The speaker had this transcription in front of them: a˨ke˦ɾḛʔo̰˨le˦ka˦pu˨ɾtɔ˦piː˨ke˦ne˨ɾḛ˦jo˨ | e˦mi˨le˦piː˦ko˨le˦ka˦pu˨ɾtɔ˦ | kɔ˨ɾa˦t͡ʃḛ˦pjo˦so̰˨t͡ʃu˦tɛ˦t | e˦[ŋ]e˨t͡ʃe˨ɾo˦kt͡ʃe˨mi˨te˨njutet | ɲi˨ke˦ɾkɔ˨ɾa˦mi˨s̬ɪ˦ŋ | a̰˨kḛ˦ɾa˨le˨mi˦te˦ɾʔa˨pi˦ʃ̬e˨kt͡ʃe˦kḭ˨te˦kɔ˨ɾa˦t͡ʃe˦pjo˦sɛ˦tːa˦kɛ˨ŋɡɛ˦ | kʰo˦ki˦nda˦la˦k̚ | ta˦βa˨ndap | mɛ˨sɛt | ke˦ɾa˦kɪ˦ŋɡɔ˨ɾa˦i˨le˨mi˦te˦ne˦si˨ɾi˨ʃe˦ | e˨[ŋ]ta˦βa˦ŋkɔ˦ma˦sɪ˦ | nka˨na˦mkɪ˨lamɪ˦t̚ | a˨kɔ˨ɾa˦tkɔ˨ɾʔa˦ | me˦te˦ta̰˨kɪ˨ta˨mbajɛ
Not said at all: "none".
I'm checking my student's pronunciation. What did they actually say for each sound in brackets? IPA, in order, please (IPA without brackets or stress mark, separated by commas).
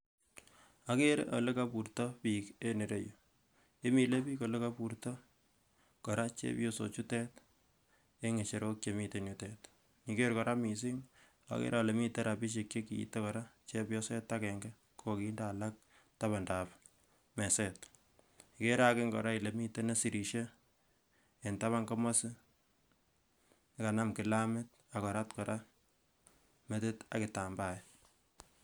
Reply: ŋ, n